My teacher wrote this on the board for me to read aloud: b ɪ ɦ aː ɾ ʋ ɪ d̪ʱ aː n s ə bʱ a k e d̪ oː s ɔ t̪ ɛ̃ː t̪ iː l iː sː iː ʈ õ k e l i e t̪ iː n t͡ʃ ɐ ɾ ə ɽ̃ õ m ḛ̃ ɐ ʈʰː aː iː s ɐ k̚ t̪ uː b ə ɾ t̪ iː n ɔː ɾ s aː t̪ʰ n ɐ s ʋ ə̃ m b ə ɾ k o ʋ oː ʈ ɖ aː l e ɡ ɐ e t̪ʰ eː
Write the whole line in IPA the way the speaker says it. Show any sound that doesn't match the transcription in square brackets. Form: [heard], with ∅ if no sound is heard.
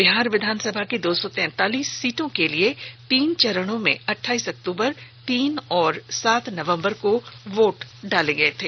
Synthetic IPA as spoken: b ɪ ɦ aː ɾ ʋ ɪ d̪ʱ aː n s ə bʱ a k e d̪ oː s ɔ t̪ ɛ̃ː t̪ [aː] l iː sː iː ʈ õ k e l i e t̪ iː n t͡ʃ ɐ ɾ ə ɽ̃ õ m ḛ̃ ɐ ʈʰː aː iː s ɐ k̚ t̪ uː b ə ɾ t̪ iː n ɔː ɾ s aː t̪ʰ n ɐ [∅] ʋ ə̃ m b ə ɾ k o ʋ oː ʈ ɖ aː l e ɡ ɐ e t̪ʰ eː